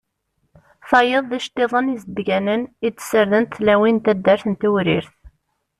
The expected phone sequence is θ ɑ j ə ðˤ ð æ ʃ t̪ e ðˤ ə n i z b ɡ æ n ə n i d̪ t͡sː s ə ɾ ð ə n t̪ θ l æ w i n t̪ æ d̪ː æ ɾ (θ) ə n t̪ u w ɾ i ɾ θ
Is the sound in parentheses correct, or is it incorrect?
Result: correct